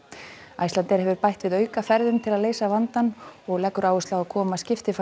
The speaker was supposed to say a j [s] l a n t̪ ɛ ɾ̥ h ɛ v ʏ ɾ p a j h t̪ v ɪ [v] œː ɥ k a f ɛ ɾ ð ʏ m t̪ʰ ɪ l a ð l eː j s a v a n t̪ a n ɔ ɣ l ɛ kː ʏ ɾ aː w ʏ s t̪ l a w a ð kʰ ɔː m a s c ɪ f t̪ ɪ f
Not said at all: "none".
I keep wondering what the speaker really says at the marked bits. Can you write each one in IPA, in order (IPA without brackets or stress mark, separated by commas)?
s, ð